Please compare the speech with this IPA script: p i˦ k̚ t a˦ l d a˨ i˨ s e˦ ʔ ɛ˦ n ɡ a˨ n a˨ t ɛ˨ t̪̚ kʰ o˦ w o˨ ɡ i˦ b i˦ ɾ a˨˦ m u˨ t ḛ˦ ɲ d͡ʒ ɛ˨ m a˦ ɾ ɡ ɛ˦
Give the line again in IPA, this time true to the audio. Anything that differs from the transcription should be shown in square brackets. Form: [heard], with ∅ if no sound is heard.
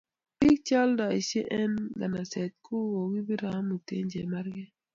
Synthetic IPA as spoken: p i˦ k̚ [t͡ʃ] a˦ l d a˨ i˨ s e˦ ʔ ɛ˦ n ɡ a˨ n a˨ [s] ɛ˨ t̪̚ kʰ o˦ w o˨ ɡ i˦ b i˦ ɾ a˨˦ m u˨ t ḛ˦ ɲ d͡ʒ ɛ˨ m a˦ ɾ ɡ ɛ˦